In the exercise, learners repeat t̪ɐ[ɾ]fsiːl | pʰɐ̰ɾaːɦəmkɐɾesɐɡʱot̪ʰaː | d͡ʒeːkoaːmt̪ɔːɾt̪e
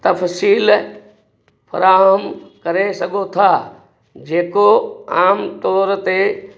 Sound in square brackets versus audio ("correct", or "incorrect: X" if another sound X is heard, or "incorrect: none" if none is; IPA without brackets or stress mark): incorrect: none